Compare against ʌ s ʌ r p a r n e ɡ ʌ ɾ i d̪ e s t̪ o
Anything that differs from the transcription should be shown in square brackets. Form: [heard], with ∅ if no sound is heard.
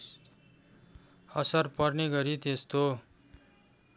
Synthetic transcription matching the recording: ʌ s ʌ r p [ʌ] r n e ɡ ʌ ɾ i [t̪] e s t̪ o